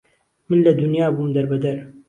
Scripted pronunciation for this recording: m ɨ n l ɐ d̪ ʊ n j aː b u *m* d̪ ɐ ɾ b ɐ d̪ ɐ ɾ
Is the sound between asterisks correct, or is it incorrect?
correct